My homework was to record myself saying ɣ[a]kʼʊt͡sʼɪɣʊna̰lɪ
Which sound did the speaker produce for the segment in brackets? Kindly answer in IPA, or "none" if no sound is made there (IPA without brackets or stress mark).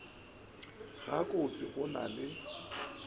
a